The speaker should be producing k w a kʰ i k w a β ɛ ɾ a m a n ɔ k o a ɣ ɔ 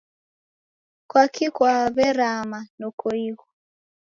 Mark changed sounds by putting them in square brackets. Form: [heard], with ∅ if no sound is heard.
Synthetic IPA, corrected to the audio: k w a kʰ i k w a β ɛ ɾ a m a n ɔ k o [i] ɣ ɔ